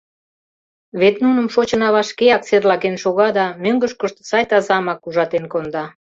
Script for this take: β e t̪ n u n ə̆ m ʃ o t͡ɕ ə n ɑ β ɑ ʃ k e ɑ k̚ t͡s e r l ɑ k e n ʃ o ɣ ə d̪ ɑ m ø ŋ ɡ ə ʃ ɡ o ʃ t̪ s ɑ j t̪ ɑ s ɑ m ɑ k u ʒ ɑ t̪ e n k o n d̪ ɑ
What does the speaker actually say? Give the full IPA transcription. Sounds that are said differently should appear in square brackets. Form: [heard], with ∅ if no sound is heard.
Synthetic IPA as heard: β e t̪ n u n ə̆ m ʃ o t͡ɕ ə n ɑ β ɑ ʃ k e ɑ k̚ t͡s e r l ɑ k e n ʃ o ɣ [ɑ] d̪ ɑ m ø ŋ ɡ ə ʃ [k] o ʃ t̪ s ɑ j t̪ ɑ [z] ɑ m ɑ k u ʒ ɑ t̪ e n k o n d̪ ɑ

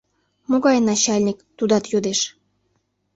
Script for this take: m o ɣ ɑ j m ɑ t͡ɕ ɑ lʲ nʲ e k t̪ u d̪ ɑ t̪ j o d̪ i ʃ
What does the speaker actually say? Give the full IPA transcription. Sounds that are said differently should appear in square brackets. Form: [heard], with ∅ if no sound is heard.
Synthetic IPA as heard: m o ɣ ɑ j [n] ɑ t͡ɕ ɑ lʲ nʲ [i] k t̪ u d̪ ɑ t̪ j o d̪ [e] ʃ

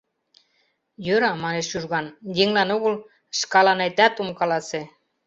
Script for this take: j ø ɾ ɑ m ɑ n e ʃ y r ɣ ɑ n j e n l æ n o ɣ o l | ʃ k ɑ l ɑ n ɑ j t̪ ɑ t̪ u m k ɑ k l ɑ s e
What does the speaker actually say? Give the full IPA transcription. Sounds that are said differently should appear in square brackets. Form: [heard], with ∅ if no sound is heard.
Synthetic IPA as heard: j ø ɾ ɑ m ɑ n e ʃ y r ɣ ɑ n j e [ŋ] l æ n o ɣ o l | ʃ k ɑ l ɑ n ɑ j t̪ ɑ t̪ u m k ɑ [∅] l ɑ s e

